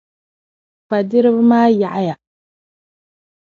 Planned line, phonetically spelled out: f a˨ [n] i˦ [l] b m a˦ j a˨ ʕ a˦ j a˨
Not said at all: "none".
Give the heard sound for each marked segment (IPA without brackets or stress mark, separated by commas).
d, ɾ